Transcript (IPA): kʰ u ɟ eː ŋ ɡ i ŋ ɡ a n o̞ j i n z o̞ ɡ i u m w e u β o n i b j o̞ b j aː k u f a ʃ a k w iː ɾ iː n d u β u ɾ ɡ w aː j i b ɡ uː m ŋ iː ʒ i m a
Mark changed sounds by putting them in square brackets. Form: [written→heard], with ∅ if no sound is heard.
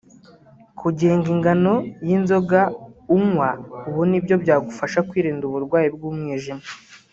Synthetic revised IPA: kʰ u ɟ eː ŋ ɡ i ŋ ɡ a n o̞ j i n z o̞ ɡ [i→a] u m w [e→a] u β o n i b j o̞ b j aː [k→ɡ] u f a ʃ a k w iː ɾ iː n d u β u ɾ ɡ w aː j i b ɡ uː m ŋ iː ʒ i m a